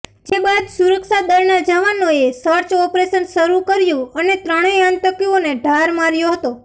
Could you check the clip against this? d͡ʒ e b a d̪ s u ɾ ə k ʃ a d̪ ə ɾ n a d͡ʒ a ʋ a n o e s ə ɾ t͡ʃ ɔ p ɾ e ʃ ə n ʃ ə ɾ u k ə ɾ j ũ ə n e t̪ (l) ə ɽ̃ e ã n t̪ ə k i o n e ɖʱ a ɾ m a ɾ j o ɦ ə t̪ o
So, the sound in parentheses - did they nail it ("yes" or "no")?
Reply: no